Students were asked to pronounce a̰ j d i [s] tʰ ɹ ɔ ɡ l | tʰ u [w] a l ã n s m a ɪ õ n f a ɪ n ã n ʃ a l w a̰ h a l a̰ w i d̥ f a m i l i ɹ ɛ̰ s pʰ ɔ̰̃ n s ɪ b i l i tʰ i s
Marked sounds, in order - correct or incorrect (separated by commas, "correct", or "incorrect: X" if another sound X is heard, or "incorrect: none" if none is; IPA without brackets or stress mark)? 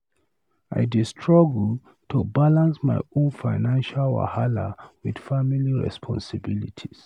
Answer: correct, incorrect: b